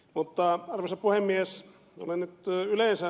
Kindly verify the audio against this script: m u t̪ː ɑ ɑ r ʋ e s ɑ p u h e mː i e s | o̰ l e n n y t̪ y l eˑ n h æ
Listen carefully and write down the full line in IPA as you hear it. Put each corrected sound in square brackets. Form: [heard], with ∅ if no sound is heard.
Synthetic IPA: m u t̪ː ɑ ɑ r ʋ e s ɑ p u h e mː i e s | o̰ l e n n y t̪ y l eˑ n [s] æ